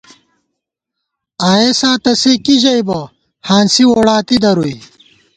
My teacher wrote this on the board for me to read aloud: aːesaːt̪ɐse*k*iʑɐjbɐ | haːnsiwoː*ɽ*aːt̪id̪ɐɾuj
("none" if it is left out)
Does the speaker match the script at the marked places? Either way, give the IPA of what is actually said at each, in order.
k, ɽ

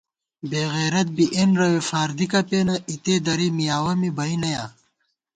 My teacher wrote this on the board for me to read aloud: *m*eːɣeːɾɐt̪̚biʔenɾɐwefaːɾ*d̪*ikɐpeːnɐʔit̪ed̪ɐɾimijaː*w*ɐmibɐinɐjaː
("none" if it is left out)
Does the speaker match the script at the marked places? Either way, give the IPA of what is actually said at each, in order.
b, d̪, w

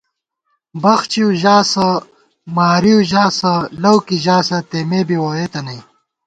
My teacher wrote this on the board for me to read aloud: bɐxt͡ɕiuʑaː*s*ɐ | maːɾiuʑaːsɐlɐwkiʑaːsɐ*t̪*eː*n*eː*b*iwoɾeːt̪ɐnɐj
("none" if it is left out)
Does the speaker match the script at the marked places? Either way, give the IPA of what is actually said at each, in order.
s, t̪, m, b

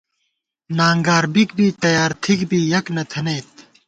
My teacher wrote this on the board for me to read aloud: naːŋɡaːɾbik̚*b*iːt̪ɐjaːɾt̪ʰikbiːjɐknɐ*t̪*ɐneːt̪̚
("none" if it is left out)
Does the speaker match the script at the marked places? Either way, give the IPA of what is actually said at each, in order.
b, t̪ʰ

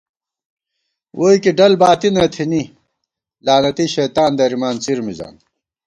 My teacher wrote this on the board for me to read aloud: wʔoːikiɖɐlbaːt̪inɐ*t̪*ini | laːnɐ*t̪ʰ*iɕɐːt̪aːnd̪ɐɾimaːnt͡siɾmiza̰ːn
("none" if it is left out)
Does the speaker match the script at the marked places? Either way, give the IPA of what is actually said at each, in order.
t̪ʰ, t̪

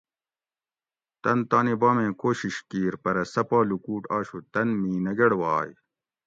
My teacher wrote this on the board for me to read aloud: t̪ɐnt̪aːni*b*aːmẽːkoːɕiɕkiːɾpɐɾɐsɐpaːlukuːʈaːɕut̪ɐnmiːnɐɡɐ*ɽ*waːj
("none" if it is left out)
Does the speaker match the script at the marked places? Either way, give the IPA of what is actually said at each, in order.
b, ɽ

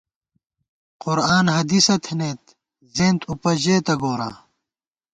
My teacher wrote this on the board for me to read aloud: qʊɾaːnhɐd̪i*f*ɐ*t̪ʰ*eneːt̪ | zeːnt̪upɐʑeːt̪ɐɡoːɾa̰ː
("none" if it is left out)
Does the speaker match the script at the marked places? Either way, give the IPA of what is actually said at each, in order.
s, t̪ʰ

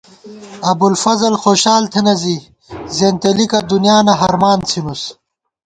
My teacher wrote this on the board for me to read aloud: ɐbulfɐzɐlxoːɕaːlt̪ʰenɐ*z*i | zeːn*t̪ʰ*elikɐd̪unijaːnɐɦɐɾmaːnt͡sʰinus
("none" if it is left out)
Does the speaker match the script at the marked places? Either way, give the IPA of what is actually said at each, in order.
z, t̪

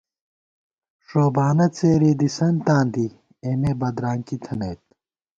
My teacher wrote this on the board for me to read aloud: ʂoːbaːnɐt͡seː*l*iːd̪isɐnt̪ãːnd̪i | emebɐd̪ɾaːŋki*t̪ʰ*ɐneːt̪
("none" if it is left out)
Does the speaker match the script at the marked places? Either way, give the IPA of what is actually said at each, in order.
ɾ, t̪ʰ

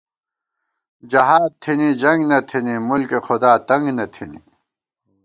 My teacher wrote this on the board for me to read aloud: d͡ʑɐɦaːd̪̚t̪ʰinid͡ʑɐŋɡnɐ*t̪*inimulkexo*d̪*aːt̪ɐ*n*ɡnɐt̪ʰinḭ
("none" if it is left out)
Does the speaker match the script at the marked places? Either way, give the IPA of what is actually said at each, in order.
t̪ʰ, d̪, ŋ

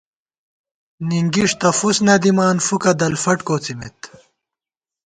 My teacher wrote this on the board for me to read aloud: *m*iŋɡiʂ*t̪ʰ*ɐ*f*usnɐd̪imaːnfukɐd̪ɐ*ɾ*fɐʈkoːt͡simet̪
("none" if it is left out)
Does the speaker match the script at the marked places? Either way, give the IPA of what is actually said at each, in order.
n, t̪, f, l

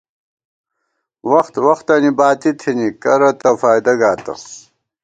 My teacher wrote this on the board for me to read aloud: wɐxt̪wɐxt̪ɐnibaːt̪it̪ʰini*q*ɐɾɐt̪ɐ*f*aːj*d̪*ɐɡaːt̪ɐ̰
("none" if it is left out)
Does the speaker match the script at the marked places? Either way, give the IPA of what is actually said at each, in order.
k, f, d̪

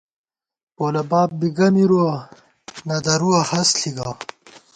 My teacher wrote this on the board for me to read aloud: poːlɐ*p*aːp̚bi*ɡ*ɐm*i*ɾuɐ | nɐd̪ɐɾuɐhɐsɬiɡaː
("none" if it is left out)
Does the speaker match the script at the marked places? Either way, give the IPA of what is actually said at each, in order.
b, ɡ, i

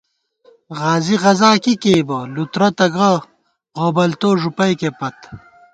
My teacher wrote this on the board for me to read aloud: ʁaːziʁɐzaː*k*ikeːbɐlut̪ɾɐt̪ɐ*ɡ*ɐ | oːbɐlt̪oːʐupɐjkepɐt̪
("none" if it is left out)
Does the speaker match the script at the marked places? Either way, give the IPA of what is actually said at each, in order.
k, ɡ

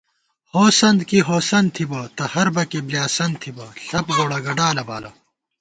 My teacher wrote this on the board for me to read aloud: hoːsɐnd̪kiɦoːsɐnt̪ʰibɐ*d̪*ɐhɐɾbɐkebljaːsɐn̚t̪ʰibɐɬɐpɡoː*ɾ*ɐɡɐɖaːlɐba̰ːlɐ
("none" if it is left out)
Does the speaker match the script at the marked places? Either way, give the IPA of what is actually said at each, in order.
t̪, ɽ

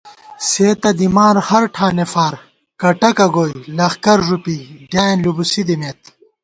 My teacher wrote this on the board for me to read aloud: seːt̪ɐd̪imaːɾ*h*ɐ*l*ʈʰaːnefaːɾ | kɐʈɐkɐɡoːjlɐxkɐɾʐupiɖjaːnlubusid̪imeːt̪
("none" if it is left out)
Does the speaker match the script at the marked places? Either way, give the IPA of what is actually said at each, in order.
h, ɾ

